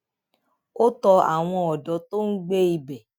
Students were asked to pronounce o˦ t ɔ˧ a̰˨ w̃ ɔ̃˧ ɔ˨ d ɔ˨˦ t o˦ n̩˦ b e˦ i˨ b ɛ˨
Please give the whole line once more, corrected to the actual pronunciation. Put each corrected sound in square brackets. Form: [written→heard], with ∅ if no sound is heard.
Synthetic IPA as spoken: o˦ t ɔ˧ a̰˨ w̃ ɔ̃˧ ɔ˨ d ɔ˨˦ t o˦ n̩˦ [b→ɡ͡b] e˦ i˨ b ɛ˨